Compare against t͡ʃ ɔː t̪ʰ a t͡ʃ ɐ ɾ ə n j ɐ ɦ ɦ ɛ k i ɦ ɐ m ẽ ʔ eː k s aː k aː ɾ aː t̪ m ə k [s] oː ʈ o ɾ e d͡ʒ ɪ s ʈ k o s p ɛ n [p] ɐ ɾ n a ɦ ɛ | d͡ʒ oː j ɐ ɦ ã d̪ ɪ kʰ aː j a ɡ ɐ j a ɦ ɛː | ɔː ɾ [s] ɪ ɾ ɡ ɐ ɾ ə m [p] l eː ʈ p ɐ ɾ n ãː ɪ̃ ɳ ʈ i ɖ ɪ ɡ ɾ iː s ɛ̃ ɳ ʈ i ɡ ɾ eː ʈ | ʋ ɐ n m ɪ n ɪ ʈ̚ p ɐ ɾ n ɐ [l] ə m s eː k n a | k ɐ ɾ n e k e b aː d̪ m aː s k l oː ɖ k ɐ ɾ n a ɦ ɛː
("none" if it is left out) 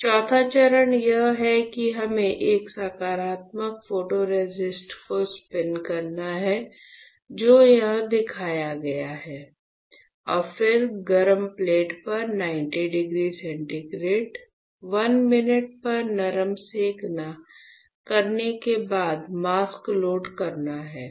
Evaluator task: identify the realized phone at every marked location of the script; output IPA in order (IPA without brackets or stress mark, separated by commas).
f, k, f, p, ɾ